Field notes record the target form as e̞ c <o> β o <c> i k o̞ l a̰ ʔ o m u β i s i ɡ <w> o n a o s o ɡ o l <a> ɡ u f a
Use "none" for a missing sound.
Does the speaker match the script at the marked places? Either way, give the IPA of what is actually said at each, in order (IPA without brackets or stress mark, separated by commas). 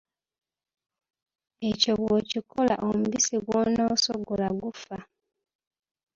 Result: o, c, w, a